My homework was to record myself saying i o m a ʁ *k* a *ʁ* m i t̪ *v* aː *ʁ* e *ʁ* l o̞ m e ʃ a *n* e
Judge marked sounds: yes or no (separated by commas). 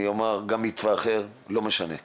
no, no, yes, no, yes, yes